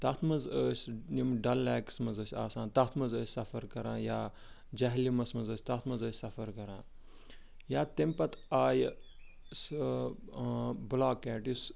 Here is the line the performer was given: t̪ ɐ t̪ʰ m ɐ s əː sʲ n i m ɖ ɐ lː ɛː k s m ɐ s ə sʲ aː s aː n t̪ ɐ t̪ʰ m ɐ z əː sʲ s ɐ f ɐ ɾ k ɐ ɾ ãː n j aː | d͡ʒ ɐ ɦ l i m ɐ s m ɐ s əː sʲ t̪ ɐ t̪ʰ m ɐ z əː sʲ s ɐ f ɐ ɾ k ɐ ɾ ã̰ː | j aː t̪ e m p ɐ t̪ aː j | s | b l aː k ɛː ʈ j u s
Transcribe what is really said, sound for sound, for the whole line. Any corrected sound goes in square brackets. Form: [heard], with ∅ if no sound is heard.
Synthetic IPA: t̪ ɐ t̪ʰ m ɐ [z] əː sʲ n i m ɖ ɐ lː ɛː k s m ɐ [z] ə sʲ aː s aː n t̪ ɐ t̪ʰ m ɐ z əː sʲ s ɐ f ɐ ɾ k ɐ ɾ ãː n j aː | d͡ʒ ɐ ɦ l i m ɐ s m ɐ [z] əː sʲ t̪ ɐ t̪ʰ m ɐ z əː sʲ s ɐ f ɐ ɾ k ɐ ɾ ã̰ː | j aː t̪ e m p ɐ t̪ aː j | s | b l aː k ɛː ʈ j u s

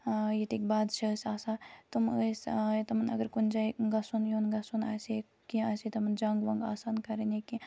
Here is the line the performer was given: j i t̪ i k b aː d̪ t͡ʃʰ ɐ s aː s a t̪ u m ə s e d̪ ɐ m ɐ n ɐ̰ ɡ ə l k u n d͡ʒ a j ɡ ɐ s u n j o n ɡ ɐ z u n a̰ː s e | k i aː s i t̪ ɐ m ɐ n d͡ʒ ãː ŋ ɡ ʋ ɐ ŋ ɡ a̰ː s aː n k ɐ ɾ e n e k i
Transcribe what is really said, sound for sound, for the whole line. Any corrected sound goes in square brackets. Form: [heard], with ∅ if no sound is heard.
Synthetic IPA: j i t̪ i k b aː d̪ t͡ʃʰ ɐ s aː s a t̪ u m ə s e [t̪] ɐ m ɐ n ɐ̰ ɡ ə [ɾ] k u n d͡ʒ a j ɡ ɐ s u n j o n ɡ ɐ [s] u n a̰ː s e | k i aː s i t̪ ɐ m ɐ n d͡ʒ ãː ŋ ɡ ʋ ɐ ŋ ɡ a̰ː s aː n k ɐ ɾ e n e k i

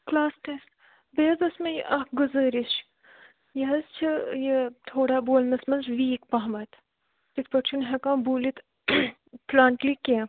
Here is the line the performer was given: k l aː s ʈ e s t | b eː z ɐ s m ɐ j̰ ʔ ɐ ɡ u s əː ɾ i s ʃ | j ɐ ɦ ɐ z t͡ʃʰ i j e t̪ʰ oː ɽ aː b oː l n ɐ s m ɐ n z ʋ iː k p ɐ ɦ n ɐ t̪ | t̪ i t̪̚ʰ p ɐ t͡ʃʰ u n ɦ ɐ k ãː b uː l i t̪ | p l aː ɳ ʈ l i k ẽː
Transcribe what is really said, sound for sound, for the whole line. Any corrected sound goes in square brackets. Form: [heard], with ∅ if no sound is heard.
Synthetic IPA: k l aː s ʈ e s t | b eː z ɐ s m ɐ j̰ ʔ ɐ ɡ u [z] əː ɾ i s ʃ | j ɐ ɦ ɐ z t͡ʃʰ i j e t̪ʰ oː ɽ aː b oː l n ɐ s m ɐ n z ʋ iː k p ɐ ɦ [m] ɐ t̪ | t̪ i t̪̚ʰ p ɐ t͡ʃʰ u n ɦ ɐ k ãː b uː l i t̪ | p l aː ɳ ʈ l i k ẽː

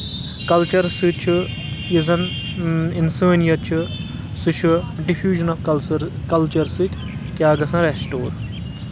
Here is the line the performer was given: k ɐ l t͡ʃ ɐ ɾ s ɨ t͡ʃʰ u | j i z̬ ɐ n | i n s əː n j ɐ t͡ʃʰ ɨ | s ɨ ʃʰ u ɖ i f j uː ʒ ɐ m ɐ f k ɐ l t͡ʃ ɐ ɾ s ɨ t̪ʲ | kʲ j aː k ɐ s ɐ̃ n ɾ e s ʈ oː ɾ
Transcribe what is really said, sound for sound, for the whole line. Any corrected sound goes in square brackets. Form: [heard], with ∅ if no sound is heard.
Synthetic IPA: k ɐ l t͡ʃ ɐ ɾ s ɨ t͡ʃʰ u | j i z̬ ɐ n | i n s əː n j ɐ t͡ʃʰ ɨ | s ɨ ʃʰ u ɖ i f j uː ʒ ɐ [n] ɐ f k ɐ l t͡ʃ ɐ ɾ s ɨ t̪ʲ | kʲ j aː [ɡ] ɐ s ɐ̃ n ɾ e s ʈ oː ɾ

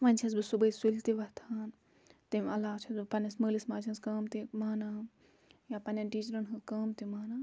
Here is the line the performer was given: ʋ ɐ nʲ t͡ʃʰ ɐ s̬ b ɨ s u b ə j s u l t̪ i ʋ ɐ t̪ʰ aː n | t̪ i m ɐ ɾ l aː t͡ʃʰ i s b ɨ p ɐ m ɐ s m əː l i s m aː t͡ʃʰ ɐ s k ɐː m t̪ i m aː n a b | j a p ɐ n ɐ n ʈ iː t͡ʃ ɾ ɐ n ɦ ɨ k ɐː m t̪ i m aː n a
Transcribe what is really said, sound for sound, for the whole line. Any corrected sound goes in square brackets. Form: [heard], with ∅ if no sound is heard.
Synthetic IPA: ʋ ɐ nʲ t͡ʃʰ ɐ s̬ b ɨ s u b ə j s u l t̪ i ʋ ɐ t̪ʰ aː n | t̪ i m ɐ [∅] l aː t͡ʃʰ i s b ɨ p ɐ [n] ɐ s m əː l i s m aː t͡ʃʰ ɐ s k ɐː m t̪ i m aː n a [∅] | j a p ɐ n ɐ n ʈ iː t͡ʃ ɾ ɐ n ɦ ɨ k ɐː m t̪ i m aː n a

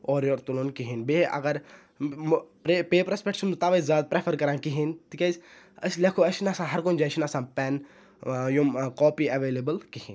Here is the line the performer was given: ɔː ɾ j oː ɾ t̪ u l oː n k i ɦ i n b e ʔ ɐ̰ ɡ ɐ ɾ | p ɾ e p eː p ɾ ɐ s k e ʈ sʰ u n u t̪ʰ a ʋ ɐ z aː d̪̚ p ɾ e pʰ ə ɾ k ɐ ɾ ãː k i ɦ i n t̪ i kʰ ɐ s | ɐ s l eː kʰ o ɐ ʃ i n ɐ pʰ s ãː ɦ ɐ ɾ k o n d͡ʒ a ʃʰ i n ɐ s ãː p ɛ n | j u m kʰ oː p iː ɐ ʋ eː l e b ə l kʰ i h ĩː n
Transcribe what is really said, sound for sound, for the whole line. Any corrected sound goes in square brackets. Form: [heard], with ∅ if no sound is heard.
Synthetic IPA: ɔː ɾ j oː ɾ t̪ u l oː n k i ɦ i n b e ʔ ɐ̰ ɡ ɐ ɾ | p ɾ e p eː p ɾ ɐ s [p] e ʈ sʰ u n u [t̪] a ʋ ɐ z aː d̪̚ p ɾ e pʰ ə ɾ k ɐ ɾ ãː k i ɦ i n t̪ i [k] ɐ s | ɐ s l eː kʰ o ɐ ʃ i n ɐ [∅] s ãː ɦ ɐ ɾ k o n d͡ʒ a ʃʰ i n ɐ s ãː p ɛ n | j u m [k] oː p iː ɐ ʋ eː l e b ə l [k] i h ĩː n

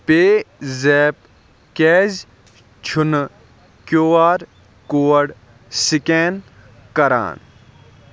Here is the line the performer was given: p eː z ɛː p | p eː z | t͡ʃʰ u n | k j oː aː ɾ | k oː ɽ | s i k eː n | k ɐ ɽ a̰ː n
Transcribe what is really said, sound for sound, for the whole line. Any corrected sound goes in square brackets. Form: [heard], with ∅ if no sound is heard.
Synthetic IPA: p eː z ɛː p | [k] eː z | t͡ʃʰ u n | k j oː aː ɾ | k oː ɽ | s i k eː n | k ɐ [ɾ] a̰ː n

